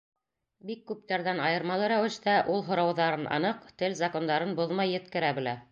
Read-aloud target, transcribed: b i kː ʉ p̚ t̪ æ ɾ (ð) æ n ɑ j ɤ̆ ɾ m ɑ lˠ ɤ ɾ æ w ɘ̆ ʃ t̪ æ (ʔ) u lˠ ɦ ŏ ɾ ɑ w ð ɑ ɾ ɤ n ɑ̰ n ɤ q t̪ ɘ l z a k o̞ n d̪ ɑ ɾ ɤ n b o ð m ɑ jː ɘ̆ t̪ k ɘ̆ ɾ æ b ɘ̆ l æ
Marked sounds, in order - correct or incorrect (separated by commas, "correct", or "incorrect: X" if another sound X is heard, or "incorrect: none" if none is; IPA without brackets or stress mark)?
correct, correct